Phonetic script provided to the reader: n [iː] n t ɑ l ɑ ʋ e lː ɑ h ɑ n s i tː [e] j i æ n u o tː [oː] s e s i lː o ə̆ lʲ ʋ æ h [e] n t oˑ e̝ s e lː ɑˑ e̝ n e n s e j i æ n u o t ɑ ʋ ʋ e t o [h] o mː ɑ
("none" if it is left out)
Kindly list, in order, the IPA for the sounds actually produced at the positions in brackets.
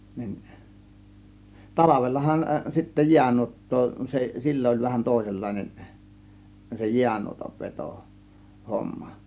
i, æ, oː, æ, h

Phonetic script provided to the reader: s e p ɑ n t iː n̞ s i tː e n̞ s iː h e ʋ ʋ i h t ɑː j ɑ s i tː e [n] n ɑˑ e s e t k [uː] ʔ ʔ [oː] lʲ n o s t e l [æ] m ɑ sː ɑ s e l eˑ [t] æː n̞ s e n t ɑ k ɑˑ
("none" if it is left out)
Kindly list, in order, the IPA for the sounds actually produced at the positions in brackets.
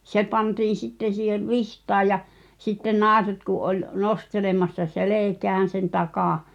n, u, o, e, k

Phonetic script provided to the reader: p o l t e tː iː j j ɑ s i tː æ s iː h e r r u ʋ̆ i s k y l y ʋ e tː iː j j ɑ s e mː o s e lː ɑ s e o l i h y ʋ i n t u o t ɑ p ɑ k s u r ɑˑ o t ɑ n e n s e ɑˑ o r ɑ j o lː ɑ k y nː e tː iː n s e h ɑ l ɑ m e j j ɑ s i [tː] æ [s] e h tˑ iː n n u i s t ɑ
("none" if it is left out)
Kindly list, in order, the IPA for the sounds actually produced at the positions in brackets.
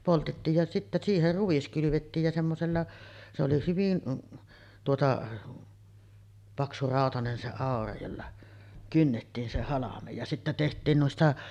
tː, t

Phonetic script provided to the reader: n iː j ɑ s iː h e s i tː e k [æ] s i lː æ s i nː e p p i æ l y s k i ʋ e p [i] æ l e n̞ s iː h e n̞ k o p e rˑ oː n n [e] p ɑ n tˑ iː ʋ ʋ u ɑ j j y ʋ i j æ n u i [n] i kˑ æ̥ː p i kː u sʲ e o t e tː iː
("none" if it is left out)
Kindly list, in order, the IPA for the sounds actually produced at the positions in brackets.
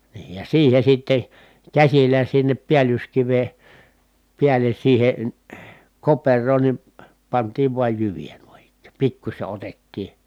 æ, i, i, n

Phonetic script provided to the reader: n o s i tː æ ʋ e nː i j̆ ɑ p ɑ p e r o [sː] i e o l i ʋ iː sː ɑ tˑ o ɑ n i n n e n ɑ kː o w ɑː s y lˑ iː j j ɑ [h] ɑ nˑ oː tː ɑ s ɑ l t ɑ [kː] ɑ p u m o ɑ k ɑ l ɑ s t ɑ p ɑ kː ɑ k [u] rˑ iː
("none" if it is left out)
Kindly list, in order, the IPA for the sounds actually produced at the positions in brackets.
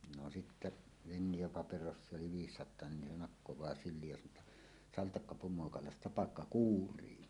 sː, s, kː, uː

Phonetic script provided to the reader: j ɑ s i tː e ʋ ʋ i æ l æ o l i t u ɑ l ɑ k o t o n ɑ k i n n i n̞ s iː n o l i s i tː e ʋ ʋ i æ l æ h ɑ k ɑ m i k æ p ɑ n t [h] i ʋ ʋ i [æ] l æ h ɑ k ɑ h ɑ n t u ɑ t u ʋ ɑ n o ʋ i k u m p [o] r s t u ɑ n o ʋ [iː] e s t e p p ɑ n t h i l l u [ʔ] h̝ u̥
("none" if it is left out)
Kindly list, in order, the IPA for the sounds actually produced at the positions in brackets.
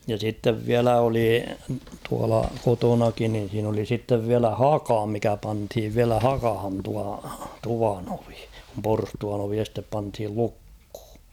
h, æ, o, i, k

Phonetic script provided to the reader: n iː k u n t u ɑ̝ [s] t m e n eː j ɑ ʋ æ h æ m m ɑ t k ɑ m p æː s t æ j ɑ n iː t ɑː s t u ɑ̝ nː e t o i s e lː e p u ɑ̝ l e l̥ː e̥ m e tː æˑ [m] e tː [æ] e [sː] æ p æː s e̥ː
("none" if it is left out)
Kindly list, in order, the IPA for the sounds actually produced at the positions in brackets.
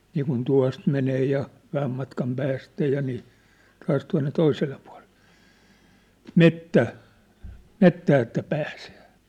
s, m, æː, tː

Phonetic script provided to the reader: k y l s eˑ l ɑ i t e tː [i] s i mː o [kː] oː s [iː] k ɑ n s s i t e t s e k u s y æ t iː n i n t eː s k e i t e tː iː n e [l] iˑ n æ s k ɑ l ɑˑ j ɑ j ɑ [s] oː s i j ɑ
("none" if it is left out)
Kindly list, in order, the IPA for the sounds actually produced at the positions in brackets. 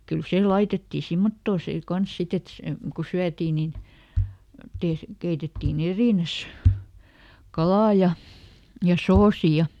iː, tː, eː, r, s

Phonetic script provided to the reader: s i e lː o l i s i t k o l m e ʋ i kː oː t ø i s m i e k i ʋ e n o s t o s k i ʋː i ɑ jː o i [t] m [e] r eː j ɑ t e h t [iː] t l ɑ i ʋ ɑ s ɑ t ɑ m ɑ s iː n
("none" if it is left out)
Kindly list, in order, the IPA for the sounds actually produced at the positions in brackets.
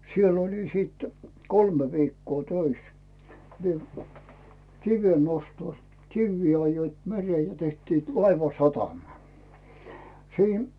t, e, iː

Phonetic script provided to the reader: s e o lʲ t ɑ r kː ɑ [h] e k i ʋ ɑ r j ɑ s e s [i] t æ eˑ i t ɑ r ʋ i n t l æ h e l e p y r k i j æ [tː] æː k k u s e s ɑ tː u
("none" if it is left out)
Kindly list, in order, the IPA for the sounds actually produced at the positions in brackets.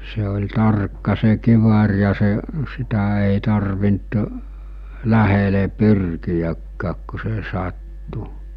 s, i, kː

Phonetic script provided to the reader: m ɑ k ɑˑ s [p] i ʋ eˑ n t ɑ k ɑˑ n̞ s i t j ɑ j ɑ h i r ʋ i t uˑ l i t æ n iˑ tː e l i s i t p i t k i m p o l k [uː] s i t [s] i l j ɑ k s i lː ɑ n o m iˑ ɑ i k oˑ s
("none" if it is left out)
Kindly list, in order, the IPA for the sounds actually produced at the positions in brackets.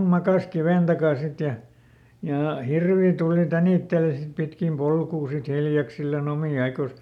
k, uː, h

